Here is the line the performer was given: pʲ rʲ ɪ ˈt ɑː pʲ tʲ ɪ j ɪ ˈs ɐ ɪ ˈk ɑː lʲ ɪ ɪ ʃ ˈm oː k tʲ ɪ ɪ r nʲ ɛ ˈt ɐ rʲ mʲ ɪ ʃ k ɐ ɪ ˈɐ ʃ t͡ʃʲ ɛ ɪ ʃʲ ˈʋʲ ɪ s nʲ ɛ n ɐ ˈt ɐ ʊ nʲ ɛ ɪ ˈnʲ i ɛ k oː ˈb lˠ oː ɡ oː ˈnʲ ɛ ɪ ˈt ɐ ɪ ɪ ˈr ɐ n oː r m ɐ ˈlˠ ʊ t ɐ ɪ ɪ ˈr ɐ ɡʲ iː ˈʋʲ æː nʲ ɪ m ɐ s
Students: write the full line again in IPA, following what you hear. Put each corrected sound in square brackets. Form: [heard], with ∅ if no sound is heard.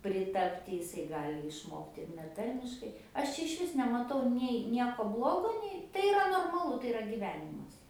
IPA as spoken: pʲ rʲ ɪ ˈt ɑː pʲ tʲ ɪ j ɪ ˈs ɐ ɪ [ˈɡ] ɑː lʲ ɪ ɪ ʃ ˈm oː k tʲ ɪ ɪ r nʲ ɛ ˈt ɐ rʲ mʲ ɪ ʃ k ɐ ɪ ˈɐ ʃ t͡ʃʲ ɛ ɪ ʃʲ ˈʋʲ ɪ s nʲ ɛ [m] ɐ ˈt ɐ ʊ nʲ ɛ ɪ ˈnʲ i ɛ k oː ˈb lˠ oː ɡ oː ˈnʲ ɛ ɪ ˈt ɐ ɪ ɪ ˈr ɐ n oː r m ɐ ˈlˠ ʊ t ɐ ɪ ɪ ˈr ɐ ɡʲ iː ˈʋʲ æː nʲ ɪ m ɐ s